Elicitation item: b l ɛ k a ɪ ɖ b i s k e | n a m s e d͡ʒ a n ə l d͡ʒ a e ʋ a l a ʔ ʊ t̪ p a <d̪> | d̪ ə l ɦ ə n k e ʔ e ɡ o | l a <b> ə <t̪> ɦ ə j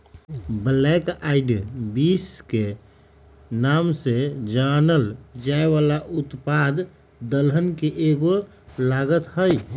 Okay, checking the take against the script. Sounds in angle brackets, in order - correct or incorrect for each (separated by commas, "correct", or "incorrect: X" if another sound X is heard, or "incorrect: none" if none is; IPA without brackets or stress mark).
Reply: correct, incorrect: ɡ, correct